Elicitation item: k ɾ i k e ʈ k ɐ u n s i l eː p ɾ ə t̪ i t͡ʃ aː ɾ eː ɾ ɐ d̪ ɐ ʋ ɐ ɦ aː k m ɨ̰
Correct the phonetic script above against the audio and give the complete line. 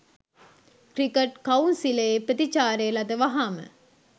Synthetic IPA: k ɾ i k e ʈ k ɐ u n s i l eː p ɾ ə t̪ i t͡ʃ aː ɾ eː l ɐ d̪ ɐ ʋ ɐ ɦ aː m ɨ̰